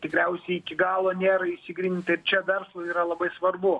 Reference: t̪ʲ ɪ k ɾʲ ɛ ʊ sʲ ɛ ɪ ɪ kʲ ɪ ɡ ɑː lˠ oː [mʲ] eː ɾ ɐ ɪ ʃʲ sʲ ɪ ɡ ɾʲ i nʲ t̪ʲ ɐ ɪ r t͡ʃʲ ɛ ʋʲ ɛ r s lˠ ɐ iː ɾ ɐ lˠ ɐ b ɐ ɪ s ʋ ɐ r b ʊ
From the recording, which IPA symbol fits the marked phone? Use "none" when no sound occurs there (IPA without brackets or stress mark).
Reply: nʲ